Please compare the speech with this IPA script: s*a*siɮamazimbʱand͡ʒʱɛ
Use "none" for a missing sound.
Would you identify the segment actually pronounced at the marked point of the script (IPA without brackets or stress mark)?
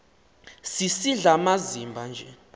i